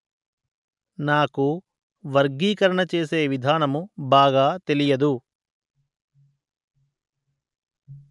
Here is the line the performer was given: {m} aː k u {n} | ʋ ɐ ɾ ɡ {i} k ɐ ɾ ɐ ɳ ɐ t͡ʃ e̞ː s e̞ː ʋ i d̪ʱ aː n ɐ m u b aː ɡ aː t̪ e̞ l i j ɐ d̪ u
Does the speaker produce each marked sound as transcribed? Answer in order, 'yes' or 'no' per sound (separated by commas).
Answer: no, no, no